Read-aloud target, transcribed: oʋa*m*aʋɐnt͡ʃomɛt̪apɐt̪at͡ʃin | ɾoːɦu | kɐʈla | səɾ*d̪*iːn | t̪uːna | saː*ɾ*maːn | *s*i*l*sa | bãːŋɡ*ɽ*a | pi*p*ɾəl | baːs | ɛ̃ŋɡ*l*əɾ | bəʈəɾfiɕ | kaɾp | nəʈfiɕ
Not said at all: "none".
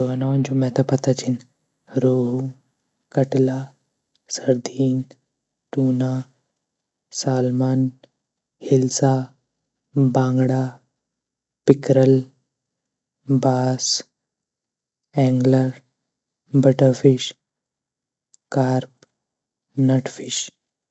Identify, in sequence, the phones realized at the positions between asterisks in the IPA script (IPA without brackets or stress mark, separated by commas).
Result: n, d̪, l, h, l, ɽ, k, l